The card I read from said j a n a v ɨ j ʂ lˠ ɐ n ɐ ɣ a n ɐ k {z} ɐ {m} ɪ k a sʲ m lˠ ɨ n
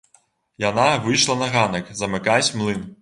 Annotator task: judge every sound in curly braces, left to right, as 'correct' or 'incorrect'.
correct, correct

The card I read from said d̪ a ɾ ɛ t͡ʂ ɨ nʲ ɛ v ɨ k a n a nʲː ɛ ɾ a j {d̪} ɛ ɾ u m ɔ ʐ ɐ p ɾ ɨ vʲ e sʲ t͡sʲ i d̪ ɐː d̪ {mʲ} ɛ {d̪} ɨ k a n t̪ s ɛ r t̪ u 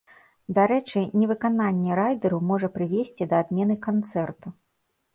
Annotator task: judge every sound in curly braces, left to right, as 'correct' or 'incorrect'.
correct, correct, incorrect

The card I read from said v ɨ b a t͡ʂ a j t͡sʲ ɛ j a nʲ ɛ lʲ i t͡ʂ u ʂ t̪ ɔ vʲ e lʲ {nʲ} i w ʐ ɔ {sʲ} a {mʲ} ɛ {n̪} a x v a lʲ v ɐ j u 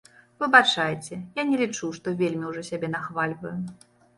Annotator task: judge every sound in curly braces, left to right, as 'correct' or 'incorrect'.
incorrect, correct, incorrect, correct

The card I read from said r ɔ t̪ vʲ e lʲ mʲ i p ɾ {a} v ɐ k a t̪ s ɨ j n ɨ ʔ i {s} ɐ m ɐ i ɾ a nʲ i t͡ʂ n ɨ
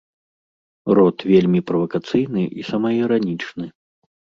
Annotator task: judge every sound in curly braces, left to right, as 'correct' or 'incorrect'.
incorrect, correct

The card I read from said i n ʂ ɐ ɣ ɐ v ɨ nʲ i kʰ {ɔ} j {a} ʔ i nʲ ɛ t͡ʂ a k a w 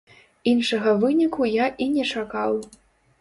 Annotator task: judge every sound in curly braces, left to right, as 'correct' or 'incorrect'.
incorrect, correct

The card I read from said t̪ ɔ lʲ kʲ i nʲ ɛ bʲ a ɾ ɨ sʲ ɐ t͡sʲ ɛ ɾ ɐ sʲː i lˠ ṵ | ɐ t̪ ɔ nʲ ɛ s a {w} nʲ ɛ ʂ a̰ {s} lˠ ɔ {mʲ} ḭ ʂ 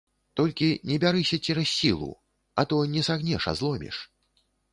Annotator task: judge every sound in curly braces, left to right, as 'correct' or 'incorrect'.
incorrect, incorrect, correct

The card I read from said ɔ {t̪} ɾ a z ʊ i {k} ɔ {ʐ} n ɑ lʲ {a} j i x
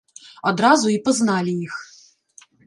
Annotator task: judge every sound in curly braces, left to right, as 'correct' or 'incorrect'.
incorrect, incorrect, incorrect, incorrect

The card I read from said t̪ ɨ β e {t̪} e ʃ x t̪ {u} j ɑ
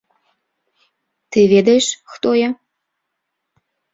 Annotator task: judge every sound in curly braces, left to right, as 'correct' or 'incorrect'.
incorrect, incorrect

